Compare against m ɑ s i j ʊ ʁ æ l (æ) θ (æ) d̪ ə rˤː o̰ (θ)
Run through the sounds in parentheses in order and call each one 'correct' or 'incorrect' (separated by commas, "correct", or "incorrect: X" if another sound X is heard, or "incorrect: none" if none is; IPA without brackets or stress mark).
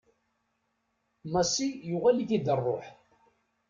incorrect: i, incorrect: i, incorrect: ħ